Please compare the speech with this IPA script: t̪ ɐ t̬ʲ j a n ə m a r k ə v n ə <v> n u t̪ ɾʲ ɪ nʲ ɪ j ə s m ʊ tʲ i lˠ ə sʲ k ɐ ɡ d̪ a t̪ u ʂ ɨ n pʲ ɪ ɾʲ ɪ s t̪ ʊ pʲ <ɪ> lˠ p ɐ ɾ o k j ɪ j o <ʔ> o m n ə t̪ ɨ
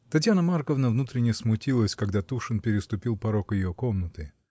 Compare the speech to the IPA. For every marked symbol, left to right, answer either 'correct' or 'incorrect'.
correct, incorrect: i, incorrect: k

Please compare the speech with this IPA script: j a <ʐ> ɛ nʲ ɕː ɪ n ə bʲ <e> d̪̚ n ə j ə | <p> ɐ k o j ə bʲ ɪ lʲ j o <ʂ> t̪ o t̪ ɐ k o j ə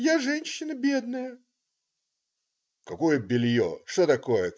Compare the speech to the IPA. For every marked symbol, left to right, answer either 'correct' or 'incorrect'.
correct, correct, incorrect: k, correct

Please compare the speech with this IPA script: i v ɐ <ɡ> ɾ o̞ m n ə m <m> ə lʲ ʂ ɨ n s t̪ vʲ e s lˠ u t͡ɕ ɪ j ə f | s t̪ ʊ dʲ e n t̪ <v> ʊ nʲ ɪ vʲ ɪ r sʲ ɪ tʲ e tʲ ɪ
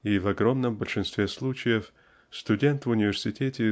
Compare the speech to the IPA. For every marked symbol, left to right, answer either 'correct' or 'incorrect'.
correct, incorrect: b, correct

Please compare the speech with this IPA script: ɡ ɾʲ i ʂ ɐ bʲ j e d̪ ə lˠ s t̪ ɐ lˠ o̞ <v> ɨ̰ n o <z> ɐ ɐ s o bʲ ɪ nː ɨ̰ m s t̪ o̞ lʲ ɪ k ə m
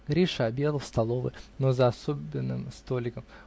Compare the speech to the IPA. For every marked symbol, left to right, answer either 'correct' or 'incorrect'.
correct, correct

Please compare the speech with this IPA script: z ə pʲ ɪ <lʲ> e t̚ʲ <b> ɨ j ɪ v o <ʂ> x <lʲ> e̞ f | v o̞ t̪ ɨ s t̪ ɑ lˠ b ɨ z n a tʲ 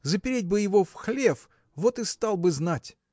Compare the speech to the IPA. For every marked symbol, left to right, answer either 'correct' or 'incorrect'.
incorrect: ɾʲ, correct, incorrect: f, correct

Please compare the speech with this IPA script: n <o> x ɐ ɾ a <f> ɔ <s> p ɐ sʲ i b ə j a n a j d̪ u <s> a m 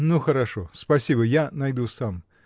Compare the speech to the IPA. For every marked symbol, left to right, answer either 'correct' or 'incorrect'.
incorrect: u, incorrect: ʂ, correct, correct

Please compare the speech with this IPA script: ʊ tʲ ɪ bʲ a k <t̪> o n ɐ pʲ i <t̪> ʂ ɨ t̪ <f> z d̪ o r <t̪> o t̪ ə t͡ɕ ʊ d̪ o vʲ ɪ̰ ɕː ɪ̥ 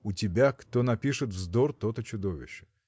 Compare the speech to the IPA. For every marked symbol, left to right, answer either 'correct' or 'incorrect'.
correct, incorrect: none, incorrect: v, correct

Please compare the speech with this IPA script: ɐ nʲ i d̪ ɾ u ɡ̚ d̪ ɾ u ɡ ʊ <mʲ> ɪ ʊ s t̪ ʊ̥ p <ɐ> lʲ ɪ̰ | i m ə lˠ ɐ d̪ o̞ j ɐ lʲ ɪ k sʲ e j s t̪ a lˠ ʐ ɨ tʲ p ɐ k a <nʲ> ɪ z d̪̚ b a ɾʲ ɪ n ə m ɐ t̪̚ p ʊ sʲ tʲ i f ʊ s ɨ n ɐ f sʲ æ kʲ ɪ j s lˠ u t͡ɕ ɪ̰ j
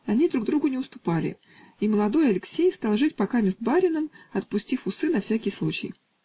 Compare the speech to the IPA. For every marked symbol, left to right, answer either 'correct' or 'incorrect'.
incorrect: nʲ, incorrect: a, incorrect: mʲ

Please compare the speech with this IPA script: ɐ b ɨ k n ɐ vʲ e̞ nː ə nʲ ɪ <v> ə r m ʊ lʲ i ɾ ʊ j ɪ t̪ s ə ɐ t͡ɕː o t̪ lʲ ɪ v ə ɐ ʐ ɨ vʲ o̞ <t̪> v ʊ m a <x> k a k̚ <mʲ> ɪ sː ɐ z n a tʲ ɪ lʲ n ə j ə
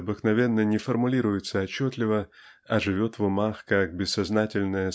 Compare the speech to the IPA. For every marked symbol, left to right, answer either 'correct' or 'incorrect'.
incorrect: f, correct, correct, incorrect: bʲ

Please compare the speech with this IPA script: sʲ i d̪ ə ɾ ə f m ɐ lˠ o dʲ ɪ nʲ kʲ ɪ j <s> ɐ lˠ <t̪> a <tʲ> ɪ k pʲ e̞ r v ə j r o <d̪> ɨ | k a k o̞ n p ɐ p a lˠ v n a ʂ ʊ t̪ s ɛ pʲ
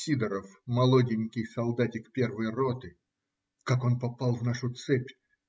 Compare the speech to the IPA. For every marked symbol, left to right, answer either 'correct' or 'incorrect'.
correct, incorrect: d̪, correct, incorrect: t̪

